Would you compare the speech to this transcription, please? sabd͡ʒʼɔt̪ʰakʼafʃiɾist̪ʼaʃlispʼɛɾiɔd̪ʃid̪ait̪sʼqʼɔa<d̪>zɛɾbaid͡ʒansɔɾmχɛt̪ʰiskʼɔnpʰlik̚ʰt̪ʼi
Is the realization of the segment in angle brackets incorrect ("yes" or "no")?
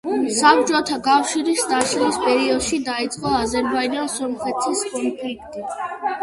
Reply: yes